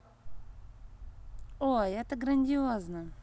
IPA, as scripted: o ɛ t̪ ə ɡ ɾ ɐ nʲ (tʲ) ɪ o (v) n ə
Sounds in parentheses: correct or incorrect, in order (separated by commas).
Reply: incorrect, incorrect